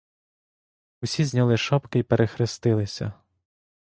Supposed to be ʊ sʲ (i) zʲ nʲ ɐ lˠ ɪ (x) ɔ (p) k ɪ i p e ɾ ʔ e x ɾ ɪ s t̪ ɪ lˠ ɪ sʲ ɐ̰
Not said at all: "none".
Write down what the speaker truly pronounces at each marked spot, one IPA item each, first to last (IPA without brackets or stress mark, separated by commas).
i, ʃ, p